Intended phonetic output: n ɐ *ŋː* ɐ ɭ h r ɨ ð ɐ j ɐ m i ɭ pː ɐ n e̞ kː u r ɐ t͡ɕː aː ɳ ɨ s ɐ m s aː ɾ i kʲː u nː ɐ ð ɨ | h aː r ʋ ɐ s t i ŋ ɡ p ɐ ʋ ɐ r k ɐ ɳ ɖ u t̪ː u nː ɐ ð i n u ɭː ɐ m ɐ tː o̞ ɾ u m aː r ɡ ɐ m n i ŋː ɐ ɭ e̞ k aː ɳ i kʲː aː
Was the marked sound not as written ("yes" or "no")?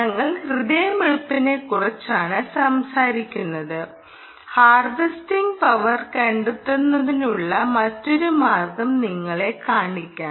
no